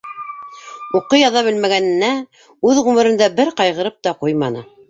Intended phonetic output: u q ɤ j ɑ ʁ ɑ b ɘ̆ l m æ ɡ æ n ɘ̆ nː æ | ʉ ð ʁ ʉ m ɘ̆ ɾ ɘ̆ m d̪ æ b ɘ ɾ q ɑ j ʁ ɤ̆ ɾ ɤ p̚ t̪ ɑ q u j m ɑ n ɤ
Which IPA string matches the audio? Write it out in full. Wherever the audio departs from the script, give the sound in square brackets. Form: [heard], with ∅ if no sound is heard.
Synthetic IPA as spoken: u q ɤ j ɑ [ð] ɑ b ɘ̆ l m æ ɡ æ n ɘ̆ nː æ | ʉ ð ʁ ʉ m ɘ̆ ɾ ɘ̆ [n] d̪ æ b ɘ ɾ q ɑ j ʁ ɤ̆ ɾ ɤ p̚ t̪ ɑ q u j m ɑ n ɤ